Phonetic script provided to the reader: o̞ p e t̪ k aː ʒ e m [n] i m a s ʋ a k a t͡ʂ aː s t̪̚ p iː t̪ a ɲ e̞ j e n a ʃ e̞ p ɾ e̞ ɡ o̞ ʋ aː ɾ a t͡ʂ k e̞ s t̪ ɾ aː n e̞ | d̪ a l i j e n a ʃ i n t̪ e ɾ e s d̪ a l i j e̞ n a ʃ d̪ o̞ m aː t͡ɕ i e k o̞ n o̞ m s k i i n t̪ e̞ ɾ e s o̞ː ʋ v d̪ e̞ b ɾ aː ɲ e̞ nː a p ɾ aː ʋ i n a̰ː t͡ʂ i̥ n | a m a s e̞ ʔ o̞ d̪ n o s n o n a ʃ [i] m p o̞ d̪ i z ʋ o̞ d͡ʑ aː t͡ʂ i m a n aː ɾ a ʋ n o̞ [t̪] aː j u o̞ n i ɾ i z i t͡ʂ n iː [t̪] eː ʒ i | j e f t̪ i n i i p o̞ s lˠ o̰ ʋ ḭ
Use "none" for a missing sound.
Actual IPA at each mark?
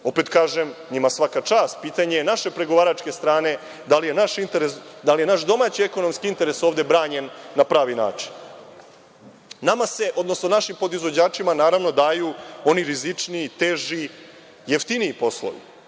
ɲ, i, d̪, t̪

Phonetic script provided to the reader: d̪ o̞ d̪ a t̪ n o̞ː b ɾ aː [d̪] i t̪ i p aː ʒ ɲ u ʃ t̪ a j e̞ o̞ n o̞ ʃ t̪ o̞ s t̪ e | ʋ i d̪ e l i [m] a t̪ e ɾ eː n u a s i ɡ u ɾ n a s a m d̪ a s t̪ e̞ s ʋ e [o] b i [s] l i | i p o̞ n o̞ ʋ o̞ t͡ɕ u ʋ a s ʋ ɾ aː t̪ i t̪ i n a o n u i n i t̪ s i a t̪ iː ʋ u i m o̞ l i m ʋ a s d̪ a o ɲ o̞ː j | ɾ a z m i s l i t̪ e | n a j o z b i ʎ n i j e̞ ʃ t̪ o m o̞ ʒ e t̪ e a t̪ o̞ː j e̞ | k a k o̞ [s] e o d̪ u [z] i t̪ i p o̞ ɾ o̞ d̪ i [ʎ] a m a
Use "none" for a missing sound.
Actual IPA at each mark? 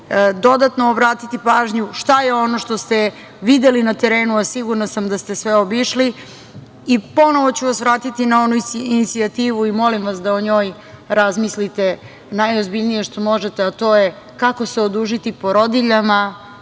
t̪, n, o, ʃ, s, ʒ, ʎ

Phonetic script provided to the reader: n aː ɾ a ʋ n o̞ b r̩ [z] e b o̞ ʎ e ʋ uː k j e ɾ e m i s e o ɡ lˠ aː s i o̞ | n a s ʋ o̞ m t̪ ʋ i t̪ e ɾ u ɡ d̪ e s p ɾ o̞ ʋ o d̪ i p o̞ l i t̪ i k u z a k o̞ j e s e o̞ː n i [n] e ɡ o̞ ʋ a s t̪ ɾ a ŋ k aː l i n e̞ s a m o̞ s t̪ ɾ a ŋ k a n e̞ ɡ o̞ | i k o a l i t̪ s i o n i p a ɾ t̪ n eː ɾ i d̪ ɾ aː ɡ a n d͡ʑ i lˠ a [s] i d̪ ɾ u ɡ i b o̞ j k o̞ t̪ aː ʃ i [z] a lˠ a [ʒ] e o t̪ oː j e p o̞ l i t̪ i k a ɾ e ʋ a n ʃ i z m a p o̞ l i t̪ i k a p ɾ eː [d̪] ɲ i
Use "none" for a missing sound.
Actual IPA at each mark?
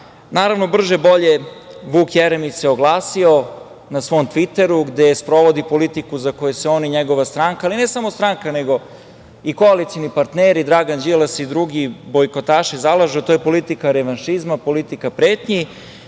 ʒ, ɲ, s, z, ʒ, t̪

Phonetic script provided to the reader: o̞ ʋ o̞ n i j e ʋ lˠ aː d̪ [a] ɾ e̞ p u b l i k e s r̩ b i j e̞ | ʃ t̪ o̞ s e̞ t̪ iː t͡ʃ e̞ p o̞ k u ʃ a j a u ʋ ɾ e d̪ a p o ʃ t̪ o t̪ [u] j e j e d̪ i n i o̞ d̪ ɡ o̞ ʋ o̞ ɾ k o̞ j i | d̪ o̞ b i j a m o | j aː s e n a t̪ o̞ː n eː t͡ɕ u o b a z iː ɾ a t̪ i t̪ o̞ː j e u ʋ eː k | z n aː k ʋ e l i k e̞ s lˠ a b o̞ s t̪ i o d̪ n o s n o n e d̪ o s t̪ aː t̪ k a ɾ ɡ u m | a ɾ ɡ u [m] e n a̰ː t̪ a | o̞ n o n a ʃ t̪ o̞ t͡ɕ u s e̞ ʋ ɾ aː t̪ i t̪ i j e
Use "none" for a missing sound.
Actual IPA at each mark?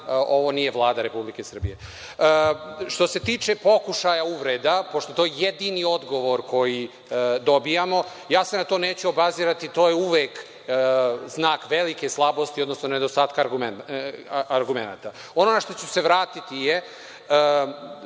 a, o, m

